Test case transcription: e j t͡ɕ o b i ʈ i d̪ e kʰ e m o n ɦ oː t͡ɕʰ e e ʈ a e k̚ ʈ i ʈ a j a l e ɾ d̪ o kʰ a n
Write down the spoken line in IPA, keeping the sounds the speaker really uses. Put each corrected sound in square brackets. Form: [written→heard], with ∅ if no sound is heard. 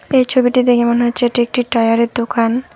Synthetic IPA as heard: e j [t͡ɕ→t͡ɕʰ] o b i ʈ i d̪ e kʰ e m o n ɦ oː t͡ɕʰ e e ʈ [a→i] e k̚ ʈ i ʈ a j a [l→ɾ] e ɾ d̪ o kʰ a n